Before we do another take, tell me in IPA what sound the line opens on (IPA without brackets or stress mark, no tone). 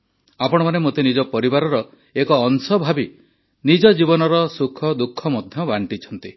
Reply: a